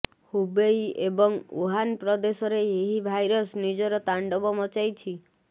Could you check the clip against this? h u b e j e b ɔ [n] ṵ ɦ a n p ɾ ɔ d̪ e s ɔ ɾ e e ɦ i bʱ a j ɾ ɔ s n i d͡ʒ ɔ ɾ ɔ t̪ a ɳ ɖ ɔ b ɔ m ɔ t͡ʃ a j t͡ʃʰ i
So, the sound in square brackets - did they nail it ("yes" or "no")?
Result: no